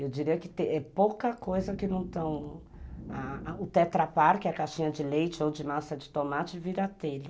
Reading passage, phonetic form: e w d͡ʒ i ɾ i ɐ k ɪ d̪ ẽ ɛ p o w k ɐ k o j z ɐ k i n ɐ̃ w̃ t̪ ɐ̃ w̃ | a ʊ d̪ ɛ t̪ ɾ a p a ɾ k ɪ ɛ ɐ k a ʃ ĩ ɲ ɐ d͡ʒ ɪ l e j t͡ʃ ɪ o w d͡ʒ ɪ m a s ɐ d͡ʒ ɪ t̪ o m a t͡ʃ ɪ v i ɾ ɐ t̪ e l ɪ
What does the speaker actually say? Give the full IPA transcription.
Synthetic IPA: e w d͡ʒ i ɾ i ɐ k ɪ t̪ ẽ ɛ p o w k ɐ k o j z ɐ k ɪ n ɐ̃ w̃ t̪ ɐ̃ w̃ | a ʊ t̪ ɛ t̪ ɾ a p a ɾ k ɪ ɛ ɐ k a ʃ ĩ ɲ ɐ d͡ʒ ɪ l e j t͡ʃ ɪ o w d͡ʒ ɪ m a s ɐ d͡ʒ ɪ t̪ o m a t͡ʃ ɪ v i ɾ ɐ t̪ e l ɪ